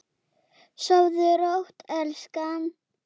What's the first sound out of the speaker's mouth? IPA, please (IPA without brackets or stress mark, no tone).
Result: s